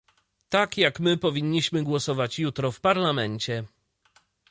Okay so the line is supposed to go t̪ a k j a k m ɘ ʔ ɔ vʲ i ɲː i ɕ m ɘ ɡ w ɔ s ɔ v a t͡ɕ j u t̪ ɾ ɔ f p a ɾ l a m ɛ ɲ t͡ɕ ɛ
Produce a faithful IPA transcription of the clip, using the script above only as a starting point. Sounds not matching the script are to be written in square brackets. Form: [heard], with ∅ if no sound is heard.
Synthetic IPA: t̪ a k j a k m ɘ [p] ɔ vʲ i ɲː i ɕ m ɘ ɡ w ɔ s ɔ v a t͡ɕ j u t̪ ɾ ɔ f p a ɾ l a m ɛ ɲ t͡ɕ ɛ